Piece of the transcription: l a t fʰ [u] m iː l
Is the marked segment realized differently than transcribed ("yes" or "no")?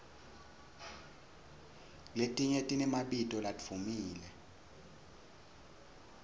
no